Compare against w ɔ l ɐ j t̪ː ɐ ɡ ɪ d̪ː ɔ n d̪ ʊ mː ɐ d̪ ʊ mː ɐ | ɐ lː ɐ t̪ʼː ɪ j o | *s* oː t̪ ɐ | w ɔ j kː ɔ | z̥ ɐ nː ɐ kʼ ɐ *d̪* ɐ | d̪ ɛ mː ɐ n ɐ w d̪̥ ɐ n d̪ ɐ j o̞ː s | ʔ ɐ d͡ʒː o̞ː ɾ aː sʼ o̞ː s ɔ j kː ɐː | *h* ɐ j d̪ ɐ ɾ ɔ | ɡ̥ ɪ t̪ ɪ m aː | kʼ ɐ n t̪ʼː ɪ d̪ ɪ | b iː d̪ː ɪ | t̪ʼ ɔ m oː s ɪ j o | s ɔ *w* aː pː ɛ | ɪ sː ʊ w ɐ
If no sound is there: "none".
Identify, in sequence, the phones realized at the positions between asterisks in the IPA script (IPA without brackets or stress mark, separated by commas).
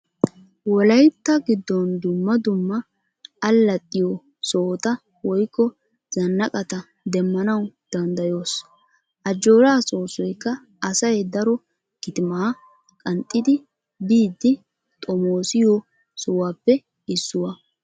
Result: s, t̪, s, w